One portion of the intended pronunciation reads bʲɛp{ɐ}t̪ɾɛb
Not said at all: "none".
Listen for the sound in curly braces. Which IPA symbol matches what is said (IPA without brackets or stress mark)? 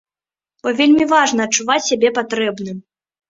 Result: a